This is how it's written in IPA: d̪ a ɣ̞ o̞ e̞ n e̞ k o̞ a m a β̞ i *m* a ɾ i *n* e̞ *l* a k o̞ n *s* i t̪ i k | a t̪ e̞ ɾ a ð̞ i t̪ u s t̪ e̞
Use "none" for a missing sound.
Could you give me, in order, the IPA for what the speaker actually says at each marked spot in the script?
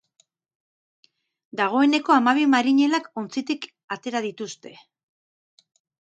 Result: m, ɲ, l, t͡s

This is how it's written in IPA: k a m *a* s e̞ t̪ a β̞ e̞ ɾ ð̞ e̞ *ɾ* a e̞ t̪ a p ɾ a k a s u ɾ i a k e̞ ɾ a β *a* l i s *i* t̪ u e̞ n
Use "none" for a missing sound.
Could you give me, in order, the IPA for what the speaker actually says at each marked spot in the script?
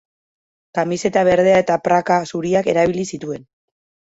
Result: i, none, i, i

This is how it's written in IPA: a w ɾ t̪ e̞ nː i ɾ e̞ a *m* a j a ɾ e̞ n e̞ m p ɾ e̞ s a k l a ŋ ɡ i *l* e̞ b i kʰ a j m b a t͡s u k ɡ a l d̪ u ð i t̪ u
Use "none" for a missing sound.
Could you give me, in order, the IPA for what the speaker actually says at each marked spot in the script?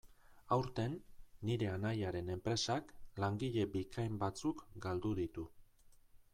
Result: n, ʎ

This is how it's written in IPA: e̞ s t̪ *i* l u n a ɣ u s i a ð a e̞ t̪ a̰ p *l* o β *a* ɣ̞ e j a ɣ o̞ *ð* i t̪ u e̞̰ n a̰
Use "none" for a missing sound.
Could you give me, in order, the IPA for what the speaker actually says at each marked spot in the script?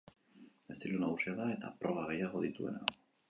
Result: i, ɾ, a, ð

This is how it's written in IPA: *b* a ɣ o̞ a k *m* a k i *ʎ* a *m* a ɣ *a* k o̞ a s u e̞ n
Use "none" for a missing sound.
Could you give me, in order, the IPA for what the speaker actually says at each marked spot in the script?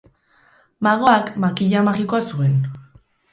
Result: m, m, ʎ, m, i

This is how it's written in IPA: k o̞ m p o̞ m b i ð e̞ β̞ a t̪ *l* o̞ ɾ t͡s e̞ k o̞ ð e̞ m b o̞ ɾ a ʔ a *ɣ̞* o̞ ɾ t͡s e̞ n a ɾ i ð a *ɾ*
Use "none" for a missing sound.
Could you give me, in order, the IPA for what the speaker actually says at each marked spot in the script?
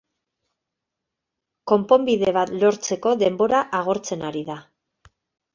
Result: l, ɣ̞, none

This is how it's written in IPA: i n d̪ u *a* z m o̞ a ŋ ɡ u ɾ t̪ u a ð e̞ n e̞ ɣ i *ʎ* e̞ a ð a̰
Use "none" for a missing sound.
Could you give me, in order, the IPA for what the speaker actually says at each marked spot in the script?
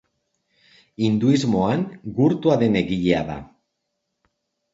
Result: i, ʎ

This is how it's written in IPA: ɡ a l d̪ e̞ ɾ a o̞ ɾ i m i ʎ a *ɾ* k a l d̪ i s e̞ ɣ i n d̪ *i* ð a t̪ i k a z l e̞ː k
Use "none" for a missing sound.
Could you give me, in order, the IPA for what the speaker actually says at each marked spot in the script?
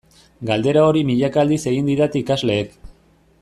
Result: none, i

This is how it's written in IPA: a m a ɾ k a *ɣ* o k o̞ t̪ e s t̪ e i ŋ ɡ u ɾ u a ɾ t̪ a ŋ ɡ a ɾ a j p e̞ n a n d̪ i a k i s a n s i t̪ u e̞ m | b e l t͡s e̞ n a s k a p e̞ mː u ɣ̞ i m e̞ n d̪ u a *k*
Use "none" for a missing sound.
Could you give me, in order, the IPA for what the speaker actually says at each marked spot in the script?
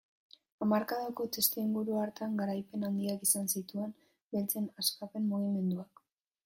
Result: ð, k

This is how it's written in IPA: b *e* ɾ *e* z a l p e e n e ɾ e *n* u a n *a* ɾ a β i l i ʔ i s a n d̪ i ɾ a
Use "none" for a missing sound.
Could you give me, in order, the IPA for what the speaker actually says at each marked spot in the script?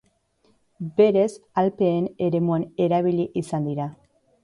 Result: e, e, m, e

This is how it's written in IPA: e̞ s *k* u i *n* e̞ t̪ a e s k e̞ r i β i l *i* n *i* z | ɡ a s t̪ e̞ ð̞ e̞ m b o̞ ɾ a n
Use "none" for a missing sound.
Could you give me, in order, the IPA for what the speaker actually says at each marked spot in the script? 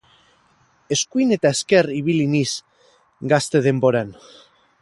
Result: k, n, i, i

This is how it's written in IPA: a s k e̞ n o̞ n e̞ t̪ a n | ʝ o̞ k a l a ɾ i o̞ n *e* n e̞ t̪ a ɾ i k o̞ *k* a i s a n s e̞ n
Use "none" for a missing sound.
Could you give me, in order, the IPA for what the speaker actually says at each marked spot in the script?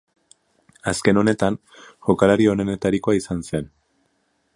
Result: e, none

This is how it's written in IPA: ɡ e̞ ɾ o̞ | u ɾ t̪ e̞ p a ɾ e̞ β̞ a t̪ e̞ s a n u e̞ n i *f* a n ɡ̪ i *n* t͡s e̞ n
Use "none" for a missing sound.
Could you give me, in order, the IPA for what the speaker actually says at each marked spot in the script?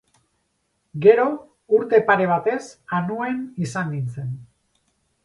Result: s, n

